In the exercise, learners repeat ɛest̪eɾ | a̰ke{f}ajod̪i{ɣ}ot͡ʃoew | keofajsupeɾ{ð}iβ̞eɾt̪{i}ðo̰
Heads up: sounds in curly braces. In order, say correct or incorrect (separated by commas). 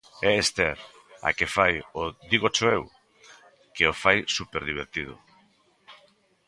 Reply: correct, correct, correct, correct